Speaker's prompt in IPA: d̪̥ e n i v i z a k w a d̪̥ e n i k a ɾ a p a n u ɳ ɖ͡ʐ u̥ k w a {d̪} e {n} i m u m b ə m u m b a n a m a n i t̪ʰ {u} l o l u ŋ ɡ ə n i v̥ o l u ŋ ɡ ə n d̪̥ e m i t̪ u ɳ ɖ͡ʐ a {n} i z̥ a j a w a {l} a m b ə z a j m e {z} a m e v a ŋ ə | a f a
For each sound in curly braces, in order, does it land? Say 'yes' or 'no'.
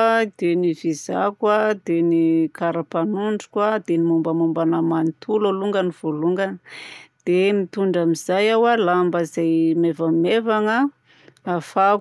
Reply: yes, yes, yes, no, yes, no

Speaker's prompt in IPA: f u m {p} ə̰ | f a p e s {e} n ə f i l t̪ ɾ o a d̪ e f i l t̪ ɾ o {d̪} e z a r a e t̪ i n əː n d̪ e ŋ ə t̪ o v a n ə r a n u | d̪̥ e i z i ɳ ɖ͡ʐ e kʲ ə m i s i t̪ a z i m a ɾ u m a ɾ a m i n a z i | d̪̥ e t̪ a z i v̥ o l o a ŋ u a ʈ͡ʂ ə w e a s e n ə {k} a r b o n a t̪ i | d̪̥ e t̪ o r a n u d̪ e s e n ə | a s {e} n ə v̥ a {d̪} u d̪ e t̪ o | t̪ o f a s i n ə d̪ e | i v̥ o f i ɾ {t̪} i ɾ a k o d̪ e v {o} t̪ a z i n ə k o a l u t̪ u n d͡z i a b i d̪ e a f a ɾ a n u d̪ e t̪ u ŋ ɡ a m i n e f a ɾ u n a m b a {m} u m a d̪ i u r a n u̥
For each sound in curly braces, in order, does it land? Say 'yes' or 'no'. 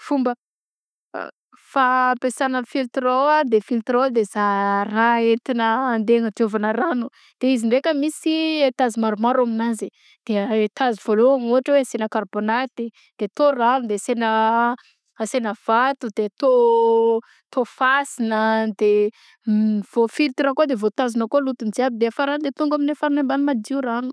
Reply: no, no, yes, yes, yes, no, yes, yes, no

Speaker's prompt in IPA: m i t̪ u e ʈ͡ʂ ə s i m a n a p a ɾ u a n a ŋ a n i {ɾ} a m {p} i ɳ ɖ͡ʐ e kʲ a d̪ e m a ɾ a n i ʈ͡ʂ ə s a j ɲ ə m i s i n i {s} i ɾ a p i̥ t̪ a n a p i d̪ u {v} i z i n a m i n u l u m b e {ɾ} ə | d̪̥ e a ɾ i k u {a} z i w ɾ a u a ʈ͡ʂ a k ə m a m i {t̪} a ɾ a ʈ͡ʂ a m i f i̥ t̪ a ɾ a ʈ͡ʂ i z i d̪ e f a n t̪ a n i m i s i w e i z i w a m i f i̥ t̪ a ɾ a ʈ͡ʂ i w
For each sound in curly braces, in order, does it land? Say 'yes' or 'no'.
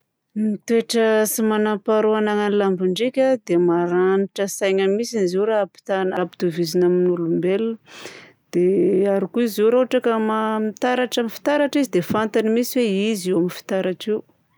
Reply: no, no, no, yes, no, no, yes

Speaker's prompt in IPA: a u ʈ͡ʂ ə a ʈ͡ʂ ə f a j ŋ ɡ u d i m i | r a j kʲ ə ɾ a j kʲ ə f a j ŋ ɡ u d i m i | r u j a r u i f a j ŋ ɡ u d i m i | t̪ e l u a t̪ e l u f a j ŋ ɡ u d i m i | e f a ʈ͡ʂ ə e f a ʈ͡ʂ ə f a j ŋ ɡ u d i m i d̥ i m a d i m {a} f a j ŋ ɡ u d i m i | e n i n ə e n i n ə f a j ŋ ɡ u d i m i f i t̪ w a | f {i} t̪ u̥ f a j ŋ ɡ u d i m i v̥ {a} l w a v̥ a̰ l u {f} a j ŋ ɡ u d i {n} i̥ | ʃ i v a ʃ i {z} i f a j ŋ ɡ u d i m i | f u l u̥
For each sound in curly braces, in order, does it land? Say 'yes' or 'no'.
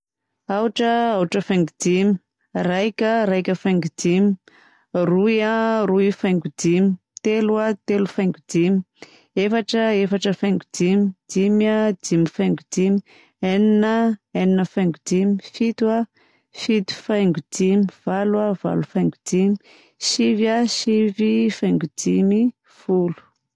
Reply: no, yes, yes, yes, no, no

